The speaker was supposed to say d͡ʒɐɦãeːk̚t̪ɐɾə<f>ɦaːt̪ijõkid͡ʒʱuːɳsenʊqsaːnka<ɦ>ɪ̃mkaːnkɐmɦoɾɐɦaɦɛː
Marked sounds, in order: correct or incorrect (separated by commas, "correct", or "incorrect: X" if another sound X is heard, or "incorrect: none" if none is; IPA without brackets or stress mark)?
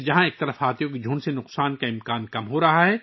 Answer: correct, incorrect: none